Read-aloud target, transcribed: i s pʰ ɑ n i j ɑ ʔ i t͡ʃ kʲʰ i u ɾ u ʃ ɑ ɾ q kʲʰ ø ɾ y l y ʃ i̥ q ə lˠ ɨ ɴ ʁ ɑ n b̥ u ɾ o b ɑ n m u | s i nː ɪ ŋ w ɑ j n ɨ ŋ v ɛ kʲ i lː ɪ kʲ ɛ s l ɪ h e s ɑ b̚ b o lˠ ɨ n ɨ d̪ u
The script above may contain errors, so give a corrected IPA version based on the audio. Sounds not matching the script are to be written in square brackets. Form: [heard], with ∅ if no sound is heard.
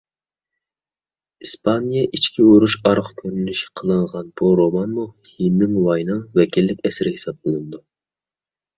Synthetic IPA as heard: i s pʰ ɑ n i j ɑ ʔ i t͡ʃ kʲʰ i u ɾ u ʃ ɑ ɾ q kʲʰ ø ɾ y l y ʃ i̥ [qʰ] ə lˠ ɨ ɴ ʁ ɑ n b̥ u ɾ o [m] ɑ n m u | [h] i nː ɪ ŋ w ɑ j n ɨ ŋ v ɛ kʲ i lː ɪ kʲ ɛ s [ɾ] ɪ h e s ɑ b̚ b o lˠ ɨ n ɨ d̪ u

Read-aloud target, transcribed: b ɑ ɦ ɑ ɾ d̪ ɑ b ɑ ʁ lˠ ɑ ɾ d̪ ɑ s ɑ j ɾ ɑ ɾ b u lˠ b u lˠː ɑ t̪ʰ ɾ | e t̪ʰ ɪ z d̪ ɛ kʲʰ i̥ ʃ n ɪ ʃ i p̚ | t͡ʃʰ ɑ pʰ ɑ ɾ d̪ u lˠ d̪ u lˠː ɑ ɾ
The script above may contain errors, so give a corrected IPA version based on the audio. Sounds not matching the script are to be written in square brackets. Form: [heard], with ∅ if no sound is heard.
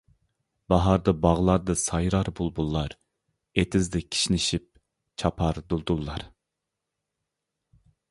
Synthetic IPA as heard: b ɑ ɦ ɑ ɾ d̪ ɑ b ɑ ʁ lˠ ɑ ɾ d̪ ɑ s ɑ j ɾ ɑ ɾ b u lˠ b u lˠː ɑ [∅] ɾ | e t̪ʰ ɪ z d̪ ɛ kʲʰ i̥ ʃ n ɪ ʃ i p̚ | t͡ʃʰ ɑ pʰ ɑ ɾ d̪ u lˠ d̪ u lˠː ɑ ɾ

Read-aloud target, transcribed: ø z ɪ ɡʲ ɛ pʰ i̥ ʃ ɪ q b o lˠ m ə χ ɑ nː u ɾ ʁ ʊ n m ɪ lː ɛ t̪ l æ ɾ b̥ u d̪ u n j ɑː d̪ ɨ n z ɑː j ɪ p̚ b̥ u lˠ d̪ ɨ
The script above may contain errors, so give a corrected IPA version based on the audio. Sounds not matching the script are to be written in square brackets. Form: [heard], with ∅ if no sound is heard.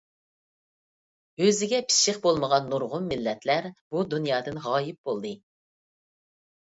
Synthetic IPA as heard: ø z ɪ ɡʲ ɛ pʰ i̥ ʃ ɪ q b o lˠ m ə [ʁ] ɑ nː u ɾ ʁ ʊ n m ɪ lː ɛ t̪ l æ ɾ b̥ u d̪ u n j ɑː d̪ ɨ n [ʁ] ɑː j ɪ p̚ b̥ [o] lˠ d̪ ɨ

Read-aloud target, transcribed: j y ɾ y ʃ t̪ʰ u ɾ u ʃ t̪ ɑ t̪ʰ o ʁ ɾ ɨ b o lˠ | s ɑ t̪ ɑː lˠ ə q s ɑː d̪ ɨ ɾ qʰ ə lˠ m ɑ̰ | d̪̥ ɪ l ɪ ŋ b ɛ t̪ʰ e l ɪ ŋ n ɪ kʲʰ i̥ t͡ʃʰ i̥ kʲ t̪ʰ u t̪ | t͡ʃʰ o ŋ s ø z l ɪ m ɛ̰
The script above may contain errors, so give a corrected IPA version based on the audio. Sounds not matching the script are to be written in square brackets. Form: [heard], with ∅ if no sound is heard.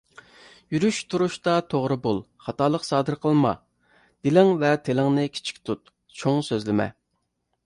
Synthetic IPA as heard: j y ɾ y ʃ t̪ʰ u ɾ u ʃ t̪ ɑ t̪ʰ o ʁ ɾ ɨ b o lˠ | [χ] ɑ t̪ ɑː lˠ ə q s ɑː d̪ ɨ ɾ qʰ ə lˠ m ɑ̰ | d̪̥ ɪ l ɪ ŋ [v] ɛ t̪ʰ e l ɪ ŋ n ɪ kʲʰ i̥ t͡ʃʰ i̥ kʲ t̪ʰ u t̪ | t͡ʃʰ o ŋ s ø z l ɪ m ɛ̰

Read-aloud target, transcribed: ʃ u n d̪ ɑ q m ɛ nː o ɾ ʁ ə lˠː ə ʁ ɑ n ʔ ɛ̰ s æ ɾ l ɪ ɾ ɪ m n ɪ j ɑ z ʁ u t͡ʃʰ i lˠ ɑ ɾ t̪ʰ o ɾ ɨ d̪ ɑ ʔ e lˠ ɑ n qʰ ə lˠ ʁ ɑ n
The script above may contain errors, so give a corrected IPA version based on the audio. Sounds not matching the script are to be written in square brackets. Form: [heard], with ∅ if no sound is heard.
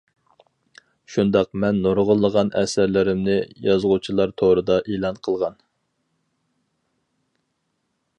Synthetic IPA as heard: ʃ u n d̪ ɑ q m ɛ nː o ɾ ʁ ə lˠː ə ʁ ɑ n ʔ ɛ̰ s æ ɾ l ɪ ɾ ɪ m n ɪ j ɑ z ʁ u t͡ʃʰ i lˠ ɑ ɾ t̪ʰ o ɾ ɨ d̪ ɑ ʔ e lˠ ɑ n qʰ ə lˠ ʁ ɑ n

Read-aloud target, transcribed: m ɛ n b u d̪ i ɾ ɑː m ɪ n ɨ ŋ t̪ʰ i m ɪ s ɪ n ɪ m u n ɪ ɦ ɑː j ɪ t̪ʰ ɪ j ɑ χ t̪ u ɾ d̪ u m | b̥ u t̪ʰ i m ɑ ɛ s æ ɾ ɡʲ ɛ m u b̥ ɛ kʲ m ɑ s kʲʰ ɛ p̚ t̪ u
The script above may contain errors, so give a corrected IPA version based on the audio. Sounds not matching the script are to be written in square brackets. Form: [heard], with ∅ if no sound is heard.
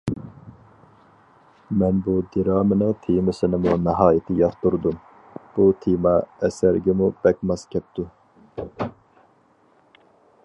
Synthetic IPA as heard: m ɛ n b u d̪ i ɾ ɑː m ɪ n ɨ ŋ t̪ʰ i m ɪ s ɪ n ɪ m u n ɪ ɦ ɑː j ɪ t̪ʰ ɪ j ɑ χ t̪ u ɾ d̪ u m | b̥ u t̪ʰ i m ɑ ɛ s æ ɾ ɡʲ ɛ m u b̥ ɛ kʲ m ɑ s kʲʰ ɛ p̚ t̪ u

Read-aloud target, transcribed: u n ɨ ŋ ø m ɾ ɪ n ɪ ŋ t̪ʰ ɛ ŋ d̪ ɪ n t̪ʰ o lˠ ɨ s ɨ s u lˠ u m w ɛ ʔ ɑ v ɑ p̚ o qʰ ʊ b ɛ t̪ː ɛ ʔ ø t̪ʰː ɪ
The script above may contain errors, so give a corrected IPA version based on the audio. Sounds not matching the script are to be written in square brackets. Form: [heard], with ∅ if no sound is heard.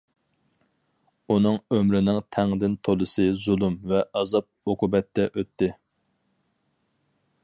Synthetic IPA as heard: u n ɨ ŋ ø m ɾ ɪ n ɪ ŋ t̪ʰ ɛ ŋ d̪ ɪ n t̪ʰ o lˠ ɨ s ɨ [z] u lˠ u m [v] ɛ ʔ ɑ [z] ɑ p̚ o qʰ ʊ b ɛ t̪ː ɛ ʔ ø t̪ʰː ɪ

